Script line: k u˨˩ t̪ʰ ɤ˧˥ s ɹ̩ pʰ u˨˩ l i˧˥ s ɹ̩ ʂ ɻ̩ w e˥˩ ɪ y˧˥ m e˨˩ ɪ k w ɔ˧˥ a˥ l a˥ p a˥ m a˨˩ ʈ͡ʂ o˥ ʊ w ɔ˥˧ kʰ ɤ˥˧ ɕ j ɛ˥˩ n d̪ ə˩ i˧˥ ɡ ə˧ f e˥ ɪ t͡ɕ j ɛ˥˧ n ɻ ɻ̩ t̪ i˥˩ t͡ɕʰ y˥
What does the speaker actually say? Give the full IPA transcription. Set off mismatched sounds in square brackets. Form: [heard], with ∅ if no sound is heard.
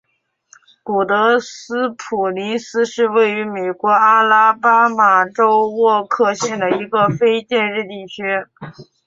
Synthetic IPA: k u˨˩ [t̪] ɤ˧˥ s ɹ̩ pʰ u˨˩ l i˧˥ s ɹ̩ ʂ ɻ̩ w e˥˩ ɪ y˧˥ m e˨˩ ɪ k w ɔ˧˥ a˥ l a˥ p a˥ m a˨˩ ʈ͡ʂ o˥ ʊ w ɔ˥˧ kʰ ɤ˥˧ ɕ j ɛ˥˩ n d̪ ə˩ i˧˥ ɡ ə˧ f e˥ ɪ t͡ɕ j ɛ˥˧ n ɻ ɻ̩ t̪ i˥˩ t͡ɕʰ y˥